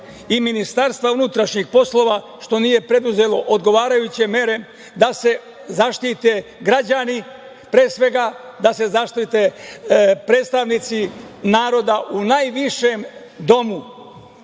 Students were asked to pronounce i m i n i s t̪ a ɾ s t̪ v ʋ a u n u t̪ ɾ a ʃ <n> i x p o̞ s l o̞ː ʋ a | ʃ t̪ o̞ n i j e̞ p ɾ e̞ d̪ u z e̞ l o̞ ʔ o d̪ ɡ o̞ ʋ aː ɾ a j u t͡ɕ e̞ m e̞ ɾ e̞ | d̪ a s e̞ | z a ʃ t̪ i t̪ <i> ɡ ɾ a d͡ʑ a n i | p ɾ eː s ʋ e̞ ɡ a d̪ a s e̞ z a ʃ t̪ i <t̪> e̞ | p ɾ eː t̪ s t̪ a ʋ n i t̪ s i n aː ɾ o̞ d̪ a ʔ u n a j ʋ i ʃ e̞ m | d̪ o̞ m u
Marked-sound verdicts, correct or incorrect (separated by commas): incorrect, incorrect, correct